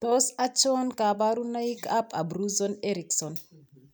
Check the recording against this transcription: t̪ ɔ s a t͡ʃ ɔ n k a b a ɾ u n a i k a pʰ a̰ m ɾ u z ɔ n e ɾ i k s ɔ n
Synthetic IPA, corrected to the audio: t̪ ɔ s a t͡ʃ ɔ n k a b a ɾ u n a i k a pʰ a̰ b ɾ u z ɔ n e ɾ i k s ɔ n